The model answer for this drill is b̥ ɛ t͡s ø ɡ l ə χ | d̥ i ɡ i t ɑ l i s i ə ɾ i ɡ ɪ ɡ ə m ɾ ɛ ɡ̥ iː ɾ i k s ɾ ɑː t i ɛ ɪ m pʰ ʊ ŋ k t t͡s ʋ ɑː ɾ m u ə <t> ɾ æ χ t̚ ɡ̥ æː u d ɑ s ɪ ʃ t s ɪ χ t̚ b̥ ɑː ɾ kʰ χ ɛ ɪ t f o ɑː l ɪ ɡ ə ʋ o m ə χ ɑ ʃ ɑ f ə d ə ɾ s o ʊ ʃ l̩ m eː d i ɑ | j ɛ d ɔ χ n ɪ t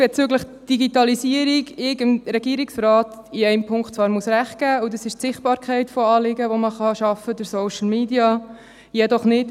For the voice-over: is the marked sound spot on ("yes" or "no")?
no